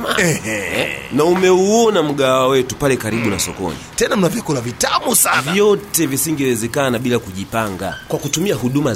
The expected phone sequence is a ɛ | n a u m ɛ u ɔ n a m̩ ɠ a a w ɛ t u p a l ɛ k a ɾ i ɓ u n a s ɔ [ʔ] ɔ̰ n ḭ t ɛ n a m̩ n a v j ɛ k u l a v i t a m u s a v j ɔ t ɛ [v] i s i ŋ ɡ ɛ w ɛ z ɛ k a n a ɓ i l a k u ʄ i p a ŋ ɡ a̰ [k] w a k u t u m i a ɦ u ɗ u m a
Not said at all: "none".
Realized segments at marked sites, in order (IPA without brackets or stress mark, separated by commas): k, v, k